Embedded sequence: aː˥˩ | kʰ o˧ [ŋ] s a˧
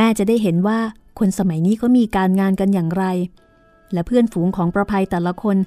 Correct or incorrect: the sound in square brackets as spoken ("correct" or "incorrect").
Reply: incorrect